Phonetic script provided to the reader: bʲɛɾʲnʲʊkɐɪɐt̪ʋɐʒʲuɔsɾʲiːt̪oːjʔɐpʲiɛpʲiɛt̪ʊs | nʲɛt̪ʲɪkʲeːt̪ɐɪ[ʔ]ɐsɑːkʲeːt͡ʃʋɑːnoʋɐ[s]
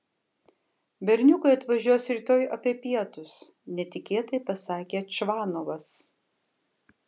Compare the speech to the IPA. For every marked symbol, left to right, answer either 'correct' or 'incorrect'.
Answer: incorrect, correct

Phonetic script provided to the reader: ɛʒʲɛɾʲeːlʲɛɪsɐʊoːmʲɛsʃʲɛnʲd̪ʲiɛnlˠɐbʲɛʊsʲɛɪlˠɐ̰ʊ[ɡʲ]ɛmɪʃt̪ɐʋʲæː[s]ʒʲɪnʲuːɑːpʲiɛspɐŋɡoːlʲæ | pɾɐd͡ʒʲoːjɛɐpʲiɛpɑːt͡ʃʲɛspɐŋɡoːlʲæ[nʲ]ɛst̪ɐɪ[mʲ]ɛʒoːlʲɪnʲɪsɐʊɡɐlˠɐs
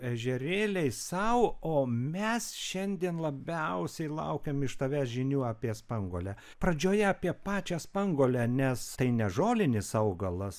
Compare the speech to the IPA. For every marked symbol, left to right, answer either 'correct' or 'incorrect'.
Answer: incorrect, correct, correct, incorrect

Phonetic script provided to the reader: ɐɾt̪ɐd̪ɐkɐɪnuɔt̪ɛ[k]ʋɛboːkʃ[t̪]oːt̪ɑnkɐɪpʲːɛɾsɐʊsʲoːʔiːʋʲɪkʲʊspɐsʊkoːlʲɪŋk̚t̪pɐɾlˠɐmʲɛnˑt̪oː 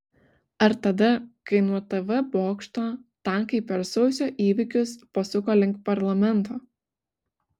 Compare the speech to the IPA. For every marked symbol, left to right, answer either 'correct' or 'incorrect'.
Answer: incorrect, correct

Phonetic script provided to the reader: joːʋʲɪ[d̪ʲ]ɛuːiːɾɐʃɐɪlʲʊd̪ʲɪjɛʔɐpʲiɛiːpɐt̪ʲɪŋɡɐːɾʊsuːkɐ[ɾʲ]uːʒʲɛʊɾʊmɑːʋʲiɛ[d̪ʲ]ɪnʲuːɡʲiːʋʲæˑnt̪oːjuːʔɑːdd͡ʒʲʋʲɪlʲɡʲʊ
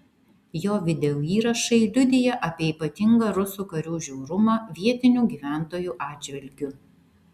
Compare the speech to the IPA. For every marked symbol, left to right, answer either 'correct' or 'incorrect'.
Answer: correct, correct, incorrect

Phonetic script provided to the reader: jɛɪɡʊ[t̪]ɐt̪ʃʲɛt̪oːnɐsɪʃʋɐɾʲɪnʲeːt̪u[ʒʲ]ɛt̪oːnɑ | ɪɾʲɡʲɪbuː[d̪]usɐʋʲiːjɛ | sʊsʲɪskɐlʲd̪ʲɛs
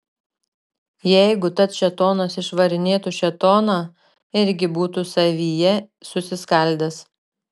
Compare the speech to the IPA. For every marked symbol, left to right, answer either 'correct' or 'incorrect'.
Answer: correct, incorrect, incorrect

